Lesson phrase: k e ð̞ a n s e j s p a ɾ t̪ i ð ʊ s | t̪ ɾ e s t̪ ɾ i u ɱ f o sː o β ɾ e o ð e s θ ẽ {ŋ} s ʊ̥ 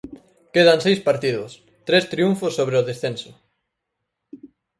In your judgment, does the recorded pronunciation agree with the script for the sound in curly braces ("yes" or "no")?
no